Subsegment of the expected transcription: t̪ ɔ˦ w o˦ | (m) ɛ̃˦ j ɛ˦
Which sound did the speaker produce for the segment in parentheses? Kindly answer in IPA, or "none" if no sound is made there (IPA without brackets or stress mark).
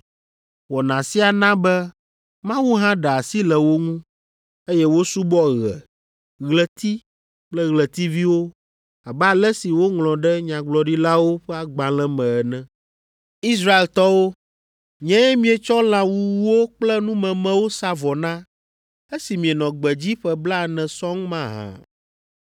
ɲ